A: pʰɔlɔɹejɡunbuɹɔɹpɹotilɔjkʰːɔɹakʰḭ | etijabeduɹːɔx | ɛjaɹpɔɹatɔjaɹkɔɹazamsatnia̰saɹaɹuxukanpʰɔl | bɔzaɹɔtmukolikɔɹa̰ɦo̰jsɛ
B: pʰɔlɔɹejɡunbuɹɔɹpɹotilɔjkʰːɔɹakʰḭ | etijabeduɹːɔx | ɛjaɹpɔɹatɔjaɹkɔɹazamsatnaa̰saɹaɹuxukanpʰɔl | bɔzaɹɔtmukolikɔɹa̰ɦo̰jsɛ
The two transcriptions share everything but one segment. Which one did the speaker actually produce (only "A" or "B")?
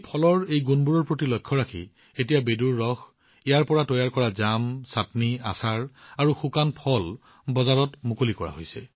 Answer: A